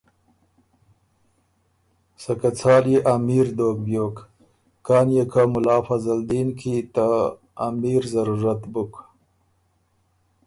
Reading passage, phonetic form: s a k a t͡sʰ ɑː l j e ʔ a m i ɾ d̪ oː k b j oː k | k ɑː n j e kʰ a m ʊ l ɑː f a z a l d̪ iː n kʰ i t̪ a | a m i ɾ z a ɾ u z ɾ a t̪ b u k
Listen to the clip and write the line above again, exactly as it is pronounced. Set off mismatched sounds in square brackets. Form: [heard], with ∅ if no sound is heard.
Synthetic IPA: s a k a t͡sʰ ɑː l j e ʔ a m i ɾ d̪ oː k b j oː k | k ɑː n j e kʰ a m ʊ l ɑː f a z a l d̪ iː n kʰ i t̪ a | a m i ɾ z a ɾ u [∅] ɾ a t̪ b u k